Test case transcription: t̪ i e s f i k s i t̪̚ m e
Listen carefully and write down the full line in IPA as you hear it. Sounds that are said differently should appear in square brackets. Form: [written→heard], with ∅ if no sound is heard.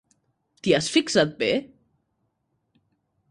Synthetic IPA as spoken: t̪ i [e→a] s f i k s [i→a] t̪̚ [m→b] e